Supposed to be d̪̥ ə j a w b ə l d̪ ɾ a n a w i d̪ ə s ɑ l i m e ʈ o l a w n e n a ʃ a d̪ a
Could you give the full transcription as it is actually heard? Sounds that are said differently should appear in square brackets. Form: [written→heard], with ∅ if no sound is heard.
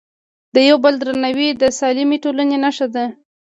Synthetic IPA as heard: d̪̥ ə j a w b ə l d̪ ɾ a n a w i d̪ ə s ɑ l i m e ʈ o l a [w→∅] n e n a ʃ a d̪ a